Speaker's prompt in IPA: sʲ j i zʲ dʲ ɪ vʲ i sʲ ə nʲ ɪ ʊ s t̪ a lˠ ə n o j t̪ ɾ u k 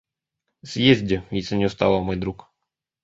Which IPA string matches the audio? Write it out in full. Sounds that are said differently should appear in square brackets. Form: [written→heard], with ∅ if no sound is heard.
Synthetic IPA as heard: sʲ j [i→e] zʲ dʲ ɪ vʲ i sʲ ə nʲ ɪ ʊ s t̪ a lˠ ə [n→m] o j [t̪→d̪] ɾ u k